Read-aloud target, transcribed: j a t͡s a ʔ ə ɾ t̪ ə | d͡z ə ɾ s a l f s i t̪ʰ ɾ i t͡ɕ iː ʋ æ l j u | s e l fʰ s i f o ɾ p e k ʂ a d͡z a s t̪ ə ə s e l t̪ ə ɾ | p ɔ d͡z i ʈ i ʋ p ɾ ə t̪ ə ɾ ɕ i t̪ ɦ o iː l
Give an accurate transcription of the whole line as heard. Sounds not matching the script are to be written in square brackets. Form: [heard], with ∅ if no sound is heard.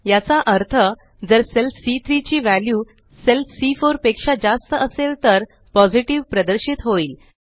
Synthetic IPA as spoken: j a t͡s a ʔ ə ɾ [t̪ʰ] ə | d͡z ə ɾ s [e] l f s i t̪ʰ ɾ i t͡ɕ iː ʋ æ l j u | s e l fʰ s i f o ɾ p e k ʂ a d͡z a s t̪ ə ə s e l t̪ ə ɾ | p ɔ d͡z i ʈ i ʋ p ɾ ə [d̪] ə ɾ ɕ i t̪ ɦ o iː l